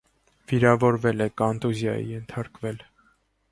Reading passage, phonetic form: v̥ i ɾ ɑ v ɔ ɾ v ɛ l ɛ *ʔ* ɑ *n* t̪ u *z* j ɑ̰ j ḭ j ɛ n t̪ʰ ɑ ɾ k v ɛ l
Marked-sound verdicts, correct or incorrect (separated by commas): incorrect, correct, correct